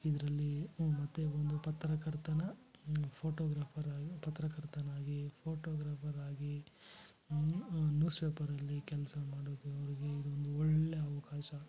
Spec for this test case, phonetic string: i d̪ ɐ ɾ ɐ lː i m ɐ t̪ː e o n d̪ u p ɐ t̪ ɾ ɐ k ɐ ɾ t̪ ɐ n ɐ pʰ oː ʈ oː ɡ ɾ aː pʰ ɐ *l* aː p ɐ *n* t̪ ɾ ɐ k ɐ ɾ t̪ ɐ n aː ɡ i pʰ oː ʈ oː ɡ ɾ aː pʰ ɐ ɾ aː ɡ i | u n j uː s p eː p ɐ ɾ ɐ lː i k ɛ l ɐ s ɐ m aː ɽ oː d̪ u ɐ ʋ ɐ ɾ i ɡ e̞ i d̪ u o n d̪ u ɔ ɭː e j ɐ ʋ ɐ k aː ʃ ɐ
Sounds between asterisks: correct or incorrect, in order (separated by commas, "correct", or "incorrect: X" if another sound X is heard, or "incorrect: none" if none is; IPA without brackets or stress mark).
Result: incorrect: ɾ, incorrect: none